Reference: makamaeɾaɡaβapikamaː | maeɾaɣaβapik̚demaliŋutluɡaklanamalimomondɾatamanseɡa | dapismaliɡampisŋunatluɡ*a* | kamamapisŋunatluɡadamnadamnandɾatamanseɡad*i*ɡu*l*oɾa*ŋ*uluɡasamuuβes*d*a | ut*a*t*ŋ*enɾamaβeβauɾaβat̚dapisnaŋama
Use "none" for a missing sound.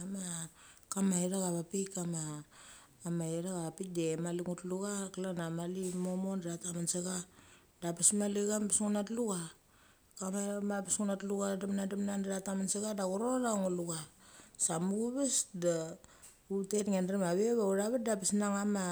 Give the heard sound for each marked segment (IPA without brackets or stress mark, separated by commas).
a, a, ɾ, ŋ, d, e, ŋ